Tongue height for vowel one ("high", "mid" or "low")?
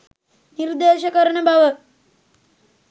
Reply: high